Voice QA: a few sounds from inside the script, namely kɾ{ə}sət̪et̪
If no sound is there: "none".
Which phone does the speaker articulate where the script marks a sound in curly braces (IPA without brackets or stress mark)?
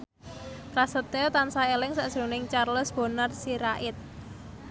a